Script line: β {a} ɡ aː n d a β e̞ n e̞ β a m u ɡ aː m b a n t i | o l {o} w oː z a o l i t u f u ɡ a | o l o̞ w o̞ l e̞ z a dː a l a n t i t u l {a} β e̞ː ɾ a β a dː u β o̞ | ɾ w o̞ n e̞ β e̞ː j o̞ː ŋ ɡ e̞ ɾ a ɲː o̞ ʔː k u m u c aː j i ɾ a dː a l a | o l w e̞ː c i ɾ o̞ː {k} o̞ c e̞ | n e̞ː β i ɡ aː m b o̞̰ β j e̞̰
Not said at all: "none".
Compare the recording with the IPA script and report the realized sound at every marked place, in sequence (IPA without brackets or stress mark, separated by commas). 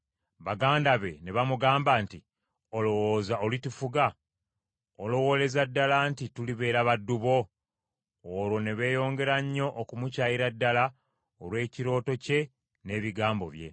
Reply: a, o, i, t